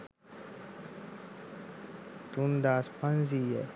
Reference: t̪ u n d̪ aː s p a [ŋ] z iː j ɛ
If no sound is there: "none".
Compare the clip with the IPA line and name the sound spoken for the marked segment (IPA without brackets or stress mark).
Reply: n